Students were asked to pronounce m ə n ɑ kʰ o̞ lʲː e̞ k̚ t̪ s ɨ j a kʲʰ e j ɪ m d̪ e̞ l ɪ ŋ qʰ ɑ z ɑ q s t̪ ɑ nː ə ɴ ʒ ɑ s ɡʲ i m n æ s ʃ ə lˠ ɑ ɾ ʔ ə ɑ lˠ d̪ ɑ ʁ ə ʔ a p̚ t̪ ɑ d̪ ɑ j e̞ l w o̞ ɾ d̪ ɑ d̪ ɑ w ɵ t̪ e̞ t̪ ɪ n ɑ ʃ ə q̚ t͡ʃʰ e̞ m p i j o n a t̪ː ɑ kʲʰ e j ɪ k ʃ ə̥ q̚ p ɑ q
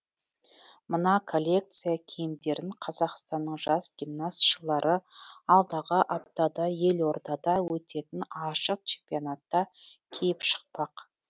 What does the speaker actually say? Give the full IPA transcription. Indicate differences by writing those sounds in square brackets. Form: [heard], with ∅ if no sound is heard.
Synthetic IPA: m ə n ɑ kʰ o̞ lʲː e̞ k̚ t̪ s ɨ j a kʲʰ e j ɪ m d̪ e̞ [ɾ] ɪ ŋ qʰ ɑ z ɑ q s t̪ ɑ nː ə ɴ ʒ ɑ s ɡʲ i m n [a] s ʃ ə lˠ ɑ ɾ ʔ ə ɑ lˠ d̪ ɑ ʁ ə ʔ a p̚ t̪ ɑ d̪ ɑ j e̞ l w o̞ ɾ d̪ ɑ d̪ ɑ w ɵ t̪ e̞ t̪ ɪ n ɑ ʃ ə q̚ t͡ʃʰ e̞ m p i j o n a t̪ː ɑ kʲʰ e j ɪ [p] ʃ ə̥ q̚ p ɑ q

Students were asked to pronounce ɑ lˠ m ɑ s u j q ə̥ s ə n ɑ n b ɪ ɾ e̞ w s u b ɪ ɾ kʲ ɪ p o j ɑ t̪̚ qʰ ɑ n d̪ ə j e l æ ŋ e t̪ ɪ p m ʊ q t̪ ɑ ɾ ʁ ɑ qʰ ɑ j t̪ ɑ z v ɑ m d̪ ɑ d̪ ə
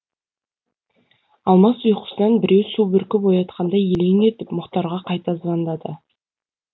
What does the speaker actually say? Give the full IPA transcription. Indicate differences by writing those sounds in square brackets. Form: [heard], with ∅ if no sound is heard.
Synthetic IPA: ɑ lˠ m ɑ s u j q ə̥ s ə n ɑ n b ɪ ɾ e̞ w s u b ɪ ɾ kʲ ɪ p o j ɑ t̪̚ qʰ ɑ n d̪ [ɑ] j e l [e] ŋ e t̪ ɪ p m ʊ q t̪ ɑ ɾ ʁ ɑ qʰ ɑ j t̪ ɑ z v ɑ [n] d̪ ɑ d̪ ə

